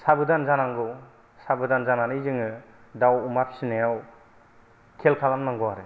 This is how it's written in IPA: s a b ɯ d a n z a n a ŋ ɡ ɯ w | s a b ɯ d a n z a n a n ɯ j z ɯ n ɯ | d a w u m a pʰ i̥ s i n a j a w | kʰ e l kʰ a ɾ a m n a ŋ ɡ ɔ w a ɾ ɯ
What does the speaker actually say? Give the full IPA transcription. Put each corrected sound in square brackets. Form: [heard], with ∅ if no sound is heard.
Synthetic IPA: s a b ɯ d a n z a n a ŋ ɡ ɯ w | s a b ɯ d a n z a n a n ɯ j z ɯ [ŋ] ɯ | d a w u m a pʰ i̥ s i n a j a w | kʰ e l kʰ a [l] a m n a ŋ ɡ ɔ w a ɾ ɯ